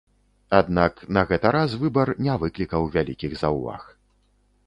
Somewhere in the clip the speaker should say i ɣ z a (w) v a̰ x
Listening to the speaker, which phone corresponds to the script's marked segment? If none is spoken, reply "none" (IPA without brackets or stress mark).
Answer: w